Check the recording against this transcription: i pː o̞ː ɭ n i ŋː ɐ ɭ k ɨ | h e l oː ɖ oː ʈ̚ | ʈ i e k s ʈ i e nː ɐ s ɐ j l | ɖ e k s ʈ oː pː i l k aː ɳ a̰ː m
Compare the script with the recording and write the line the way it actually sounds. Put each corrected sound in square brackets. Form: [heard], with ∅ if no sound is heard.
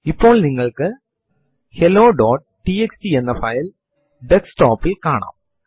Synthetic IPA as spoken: i pː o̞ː ɭ n i ŋː ɐ ɭ k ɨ | h e l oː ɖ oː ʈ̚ | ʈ i e k s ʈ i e nː ɐ [f] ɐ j l | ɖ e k s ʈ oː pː i l k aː ɳ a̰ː m